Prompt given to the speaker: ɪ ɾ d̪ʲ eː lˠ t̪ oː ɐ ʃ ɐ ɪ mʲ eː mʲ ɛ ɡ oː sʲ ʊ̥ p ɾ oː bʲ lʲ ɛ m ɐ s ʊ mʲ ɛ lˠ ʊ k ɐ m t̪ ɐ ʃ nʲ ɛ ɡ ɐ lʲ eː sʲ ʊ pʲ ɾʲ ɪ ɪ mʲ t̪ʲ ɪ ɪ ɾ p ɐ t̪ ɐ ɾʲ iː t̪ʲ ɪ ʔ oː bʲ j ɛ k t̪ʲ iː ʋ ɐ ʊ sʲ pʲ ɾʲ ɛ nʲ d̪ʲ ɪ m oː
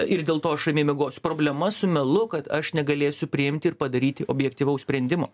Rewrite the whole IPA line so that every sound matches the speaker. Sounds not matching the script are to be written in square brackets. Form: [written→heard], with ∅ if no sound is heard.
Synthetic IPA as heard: ɪ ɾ d̪ʲ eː lˠ t̪ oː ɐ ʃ ɐ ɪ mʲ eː mʲ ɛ ɡ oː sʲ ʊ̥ p ɾ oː bʲ lʲ ɛ m ɐ s ʊ mʲ ɛ lˠ ʊ k ɐ [m→∅] t̪ ɐ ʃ nʲ ɛ ɡ ɐ lʲ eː sʲ ʊ pʲ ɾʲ ɪ ɪ mʲ t̪ʲ ɪ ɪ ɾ p ɐ [t̪→d̪] ɐ ɾʲ iː t̪ʲ ɪ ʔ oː bʲ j ɛ k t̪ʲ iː ʋ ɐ ʊ sʲ pʲ ɾʲ ɛ nʲ d̪ʲ ɪ m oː